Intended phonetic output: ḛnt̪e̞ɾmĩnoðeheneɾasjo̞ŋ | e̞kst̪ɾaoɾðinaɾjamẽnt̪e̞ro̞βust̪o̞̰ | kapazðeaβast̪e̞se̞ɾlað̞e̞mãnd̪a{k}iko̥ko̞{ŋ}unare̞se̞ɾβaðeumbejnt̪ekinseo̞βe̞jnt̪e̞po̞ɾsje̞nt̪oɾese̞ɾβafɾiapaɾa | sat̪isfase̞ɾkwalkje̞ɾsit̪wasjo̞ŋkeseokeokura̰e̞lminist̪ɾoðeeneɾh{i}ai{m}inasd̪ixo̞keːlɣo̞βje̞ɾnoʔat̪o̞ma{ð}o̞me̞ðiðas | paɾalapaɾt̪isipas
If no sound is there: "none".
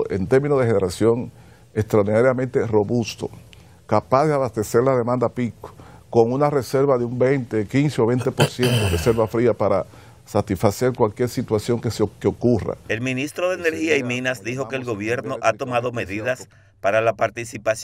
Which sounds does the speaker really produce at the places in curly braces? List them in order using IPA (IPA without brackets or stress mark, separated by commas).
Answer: p, ŋ, i, m, ð